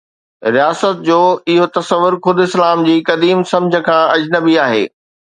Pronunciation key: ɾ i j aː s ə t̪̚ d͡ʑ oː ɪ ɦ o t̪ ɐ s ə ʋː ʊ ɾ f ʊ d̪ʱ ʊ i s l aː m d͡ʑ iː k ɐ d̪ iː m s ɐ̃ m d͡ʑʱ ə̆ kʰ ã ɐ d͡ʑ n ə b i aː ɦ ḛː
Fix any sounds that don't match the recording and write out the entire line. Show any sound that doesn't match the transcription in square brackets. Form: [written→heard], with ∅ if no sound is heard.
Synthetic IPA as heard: ɾ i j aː s ə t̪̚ d͡ʑ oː ɪ ɦ o t̪ ɐ s ə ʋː ʊ ɾ [f→x] ʊ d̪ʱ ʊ [i→ɪ] s l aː m d͡ʑ iː k ɐ d̪ iː m s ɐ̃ m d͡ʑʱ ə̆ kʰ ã ɐ d͡ʑ n ə b i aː ɦ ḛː